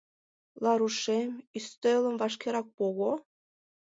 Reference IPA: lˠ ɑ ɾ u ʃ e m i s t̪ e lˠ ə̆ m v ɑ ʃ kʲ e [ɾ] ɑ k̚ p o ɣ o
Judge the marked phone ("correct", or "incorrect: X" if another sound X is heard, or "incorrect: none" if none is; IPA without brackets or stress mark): correct